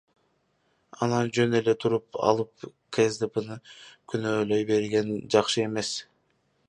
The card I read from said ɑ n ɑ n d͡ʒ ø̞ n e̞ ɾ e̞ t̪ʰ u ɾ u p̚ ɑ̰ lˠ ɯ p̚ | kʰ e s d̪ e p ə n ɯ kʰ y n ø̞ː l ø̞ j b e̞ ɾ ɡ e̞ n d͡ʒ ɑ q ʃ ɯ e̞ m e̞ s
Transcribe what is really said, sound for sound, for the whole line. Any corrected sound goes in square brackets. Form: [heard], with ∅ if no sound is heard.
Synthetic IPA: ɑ n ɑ n d͡ʒ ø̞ n e̞ [l] e̞ t̪ʰ u ɾ u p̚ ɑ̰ lˠ ɯ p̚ | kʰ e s d̪ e p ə n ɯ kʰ y n ø̞ː l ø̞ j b e̞ ɾ ɡ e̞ n d͡ʒ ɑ q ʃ ɯ e̞ m e̞ s